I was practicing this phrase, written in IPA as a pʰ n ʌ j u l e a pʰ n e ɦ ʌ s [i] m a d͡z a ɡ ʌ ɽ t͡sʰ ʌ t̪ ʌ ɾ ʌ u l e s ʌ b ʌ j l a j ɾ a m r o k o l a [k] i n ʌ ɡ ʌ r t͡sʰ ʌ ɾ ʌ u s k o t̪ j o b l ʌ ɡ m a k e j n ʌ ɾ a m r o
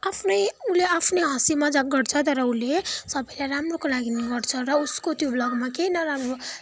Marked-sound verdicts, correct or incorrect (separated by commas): correct, incorrect